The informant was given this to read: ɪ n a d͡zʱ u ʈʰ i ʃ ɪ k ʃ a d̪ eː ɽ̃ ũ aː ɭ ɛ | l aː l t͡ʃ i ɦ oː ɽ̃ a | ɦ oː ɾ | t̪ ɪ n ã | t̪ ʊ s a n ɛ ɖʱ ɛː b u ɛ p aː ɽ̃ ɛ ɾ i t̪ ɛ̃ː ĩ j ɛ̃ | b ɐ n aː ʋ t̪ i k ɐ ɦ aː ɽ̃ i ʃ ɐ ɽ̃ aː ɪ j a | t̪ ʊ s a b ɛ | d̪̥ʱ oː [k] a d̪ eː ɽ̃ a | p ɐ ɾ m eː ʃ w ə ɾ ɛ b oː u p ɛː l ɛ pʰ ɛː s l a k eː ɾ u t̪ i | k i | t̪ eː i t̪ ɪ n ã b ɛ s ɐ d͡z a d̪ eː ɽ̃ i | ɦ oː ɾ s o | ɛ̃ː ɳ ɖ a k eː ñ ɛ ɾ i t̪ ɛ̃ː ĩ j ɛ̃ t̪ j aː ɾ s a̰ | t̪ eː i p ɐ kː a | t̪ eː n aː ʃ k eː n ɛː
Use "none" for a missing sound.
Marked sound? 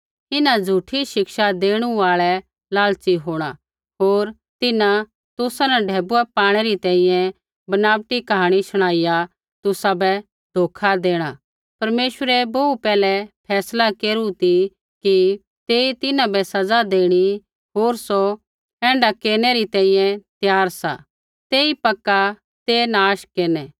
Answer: kʰ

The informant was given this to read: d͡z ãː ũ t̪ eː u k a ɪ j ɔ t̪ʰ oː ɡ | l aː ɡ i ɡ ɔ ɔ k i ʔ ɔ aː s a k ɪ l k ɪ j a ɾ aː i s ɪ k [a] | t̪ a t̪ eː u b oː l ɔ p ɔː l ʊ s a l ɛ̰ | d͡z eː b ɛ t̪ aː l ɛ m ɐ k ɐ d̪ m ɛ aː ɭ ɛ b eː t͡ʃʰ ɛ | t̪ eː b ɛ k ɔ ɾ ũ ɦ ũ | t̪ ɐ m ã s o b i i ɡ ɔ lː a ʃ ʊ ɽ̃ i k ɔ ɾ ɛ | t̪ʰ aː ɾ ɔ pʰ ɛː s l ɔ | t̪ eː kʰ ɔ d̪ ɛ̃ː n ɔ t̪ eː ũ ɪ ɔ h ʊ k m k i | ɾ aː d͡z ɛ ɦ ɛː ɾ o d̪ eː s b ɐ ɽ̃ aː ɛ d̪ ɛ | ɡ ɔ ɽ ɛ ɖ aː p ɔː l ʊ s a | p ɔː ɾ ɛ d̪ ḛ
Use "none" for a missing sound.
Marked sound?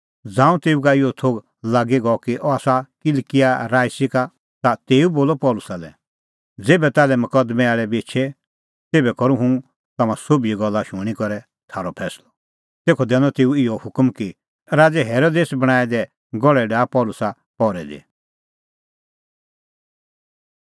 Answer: a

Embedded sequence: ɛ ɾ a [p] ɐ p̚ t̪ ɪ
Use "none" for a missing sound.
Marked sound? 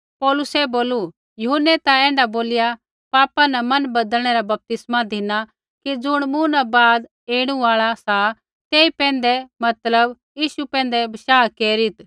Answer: b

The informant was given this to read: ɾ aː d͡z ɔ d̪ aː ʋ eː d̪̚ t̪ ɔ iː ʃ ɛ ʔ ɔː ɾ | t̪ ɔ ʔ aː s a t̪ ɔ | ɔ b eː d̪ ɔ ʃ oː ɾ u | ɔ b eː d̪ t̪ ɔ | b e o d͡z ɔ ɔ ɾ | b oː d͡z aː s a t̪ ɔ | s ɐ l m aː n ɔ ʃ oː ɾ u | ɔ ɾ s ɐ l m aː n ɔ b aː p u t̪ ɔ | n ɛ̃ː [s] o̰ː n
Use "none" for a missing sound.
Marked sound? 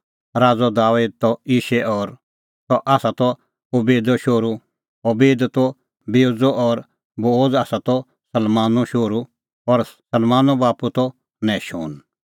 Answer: ʃ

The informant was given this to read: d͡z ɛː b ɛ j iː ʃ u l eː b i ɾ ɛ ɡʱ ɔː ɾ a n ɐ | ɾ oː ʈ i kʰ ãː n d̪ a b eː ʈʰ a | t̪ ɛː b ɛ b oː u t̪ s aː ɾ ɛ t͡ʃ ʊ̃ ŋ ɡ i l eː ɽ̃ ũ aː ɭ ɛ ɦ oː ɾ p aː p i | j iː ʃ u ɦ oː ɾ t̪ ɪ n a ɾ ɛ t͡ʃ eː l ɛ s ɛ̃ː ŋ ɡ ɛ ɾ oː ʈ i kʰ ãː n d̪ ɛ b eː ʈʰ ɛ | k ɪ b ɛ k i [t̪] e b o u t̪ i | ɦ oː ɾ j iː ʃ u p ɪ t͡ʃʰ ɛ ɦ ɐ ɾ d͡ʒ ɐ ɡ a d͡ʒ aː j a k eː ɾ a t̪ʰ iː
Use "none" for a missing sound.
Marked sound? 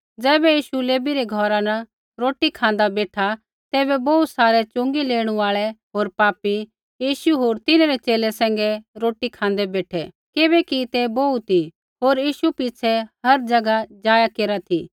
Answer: t̪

